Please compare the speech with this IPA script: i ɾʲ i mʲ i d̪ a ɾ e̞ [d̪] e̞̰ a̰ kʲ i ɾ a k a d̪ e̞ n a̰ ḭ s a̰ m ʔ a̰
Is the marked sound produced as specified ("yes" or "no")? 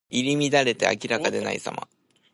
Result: no